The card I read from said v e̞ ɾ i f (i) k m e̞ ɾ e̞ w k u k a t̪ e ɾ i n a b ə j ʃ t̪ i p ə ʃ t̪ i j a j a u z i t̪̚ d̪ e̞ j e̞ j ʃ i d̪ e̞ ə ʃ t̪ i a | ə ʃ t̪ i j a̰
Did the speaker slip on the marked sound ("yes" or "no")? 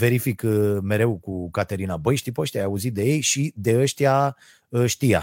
no